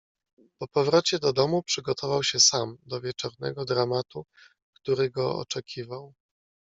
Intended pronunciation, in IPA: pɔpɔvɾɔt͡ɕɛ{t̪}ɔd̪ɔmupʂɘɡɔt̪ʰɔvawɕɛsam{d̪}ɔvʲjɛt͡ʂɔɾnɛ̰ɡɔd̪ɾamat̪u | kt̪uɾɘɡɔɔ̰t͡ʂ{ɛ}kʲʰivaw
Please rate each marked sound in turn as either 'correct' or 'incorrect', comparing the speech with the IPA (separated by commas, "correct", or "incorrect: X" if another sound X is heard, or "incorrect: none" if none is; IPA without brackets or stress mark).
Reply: incorrect: d̪, correct, correct